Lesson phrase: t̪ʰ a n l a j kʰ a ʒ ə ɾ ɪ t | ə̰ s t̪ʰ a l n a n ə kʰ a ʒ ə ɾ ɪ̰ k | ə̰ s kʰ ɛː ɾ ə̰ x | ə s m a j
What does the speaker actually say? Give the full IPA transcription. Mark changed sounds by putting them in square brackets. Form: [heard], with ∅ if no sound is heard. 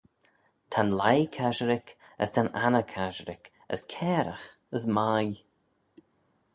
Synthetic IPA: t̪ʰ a n l a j kʰ a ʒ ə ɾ ɪ [k] | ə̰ s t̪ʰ a [∅] n a n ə kʰ a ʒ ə ɾ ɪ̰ k | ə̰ s kʰ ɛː ɾ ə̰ x | ə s m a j